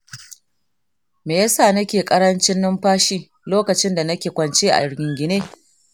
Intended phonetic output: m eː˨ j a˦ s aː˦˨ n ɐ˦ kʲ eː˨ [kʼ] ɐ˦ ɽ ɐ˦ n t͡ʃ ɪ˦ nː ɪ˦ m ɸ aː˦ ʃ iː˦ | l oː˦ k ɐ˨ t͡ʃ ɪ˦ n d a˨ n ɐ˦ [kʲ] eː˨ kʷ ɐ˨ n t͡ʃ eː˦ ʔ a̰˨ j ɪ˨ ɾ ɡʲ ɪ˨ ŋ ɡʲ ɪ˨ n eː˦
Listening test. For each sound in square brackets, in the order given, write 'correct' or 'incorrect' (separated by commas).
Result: correct, correct